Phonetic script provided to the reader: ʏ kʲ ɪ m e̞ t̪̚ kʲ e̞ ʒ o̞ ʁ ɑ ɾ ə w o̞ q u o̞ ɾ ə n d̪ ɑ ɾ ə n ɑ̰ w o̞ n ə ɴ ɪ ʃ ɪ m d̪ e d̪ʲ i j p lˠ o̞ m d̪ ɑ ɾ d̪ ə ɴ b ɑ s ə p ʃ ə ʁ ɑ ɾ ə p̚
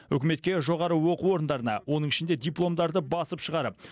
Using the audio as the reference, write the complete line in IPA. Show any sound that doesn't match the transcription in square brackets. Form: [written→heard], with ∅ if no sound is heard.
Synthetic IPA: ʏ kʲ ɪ m e̞ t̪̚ kʲ e̞ ʒ o̞ ʁ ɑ ɾ ə w o̞ q u o̞ ɾ ə n d̪ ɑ ɾ ə n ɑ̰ w o̞ n ə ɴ ɪ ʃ ɪ [m→n] d̪ e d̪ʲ i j p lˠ o̞ m d̪ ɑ ɾ d̪ ə [ɴ→∅] b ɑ s ə p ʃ ə ʁ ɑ ɾ ə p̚